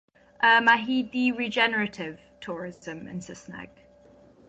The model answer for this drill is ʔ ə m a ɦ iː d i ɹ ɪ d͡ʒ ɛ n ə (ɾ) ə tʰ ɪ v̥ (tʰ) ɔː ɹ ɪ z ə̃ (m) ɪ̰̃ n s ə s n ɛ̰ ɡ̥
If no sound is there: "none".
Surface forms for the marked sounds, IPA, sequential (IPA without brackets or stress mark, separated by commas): ɹ, tʰ, m